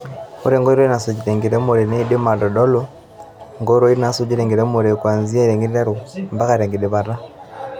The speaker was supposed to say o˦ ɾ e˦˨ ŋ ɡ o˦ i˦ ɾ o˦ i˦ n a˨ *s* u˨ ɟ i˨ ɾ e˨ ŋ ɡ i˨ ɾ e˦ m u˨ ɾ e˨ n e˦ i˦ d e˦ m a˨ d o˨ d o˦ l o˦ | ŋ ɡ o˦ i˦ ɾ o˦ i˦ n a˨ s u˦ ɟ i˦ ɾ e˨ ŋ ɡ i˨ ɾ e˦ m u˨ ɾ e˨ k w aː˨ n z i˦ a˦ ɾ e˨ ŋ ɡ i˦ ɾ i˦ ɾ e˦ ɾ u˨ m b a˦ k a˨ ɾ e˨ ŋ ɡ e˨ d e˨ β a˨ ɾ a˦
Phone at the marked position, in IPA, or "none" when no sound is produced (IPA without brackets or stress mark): s